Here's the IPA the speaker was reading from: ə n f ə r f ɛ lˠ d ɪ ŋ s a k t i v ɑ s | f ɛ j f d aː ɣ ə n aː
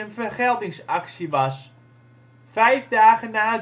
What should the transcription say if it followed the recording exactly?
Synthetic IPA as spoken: ə n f ə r χ ɛ lˠ d ɪ ŋ s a k s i ʋ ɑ s | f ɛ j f d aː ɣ ə n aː